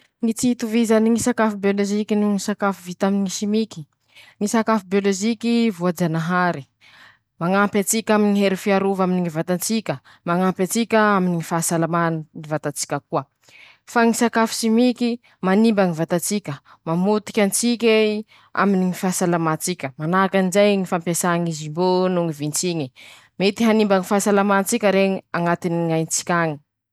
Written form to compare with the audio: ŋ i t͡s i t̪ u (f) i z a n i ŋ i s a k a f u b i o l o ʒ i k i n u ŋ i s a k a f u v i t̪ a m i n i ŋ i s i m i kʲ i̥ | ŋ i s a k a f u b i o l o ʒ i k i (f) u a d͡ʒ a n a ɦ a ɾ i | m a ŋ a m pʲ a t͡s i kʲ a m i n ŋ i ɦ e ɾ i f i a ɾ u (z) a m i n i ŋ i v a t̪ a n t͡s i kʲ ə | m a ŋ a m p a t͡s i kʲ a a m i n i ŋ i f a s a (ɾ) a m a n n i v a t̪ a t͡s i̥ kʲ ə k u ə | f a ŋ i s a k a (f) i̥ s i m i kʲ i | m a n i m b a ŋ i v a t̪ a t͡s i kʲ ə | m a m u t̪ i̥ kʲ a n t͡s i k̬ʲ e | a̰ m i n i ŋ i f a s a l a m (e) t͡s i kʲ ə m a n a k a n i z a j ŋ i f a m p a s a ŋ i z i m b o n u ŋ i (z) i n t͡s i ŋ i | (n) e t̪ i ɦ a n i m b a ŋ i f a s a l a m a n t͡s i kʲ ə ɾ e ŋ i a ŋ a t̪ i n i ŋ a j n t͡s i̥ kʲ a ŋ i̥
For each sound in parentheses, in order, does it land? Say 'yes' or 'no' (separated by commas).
no, no, no, no, yes, no, no, no